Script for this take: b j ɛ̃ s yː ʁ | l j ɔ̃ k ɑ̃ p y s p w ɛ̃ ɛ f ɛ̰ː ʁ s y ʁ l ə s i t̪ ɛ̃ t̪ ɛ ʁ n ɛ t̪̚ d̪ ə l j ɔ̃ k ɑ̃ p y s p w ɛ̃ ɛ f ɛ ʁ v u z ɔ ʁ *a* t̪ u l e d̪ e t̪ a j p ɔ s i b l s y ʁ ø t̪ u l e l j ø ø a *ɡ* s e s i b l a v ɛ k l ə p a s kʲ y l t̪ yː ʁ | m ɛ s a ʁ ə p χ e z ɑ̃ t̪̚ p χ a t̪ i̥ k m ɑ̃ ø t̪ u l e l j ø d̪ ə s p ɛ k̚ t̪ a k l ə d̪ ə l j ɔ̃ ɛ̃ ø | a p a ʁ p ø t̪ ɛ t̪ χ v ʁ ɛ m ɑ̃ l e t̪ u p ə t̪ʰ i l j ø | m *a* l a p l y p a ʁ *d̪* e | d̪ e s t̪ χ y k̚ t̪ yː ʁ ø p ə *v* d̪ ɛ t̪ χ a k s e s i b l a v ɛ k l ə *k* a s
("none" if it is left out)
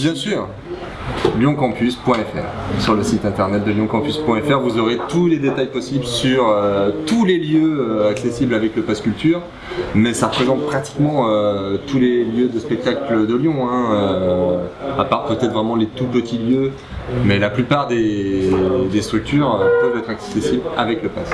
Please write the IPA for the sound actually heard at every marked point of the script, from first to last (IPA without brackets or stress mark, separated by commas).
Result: e, k, ɛ, d̪, v, p